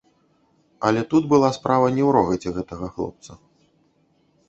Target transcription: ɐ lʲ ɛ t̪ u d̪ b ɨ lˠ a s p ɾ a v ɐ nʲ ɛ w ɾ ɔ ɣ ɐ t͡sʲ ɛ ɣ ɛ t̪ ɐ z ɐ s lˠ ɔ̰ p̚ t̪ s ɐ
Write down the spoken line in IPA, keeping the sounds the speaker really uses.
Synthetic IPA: ɐ lʲ ɛ t̪ u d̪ b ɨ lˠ a s p ɾ a v ɐ nʲ ɛ w ɾ ɔ ɣ ɐ t͡sʲ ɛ ɣ ɛ t̪ ɐ ɣ ɐ x lˠ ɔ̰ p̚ t̪ s ɐ